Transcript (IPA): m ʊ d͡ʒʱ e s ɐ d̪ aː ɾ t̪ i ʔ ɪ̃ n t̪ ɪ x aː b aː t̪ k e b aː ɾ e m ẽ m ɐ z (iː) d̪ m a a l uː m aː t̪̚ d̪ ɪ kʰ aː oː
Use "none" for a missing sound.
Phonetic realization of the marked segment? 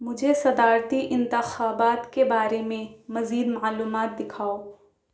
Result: iː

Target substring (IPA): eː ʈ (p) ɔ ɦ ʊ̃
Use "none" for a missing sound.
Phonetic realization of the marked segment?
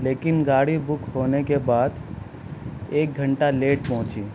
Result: p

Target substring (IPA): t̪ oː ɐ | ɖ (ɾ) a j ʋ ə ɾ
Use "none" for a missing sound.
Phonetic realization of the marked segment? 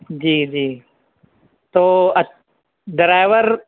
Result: ɾ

